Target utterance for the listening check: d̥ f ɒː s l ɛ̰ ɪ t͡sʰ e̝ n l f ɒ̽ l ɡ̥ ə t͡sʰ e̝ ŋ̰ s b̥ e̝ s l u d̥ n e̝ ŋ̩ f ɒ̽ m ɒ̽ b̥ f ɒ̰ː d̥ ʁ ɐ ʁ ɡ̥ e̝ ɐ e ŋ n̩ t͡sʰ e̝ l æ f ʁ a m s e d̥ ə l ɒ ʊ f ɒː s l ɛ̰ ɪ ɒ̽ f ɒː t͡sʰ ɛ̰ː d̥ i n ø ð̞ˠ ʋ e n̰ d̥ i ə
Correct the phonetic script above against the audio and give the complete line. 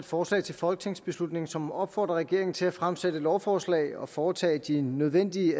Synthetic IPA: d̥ f ɒː s l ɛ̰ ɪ t͡sʰ e̝ l f ɒ̽ l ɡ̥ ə t͡sʰ e̝ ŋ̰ s b̥ e̝ s l u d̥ n e̝ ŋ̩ s ɒ̽ m ɒ̽ b̥ f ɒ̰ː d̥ ʁ ɐ ʁ ɡ̥ e̝ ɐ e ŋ n̩ t͡sʰ e̝ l æ f ʁ a m s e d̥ ə l ɒ ʊ f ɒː s l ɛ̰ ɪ ɒ̽ f ɒː t͡sʰ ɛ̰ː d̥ i n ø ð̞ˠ ʋ e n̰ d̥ i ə